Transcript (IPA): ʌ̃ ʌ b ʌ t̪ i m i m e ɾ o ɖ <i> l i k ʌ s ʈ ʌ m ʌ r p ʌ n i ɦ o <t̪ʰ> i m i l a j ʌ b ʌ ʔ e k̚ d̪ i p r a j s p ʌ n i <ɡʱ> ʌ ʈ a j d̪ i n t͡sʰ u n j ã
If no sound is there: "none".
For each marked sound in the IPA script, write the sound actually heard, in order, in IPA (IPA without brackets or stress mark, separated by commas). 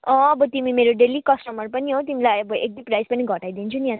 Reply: e, t̪, ɡʱ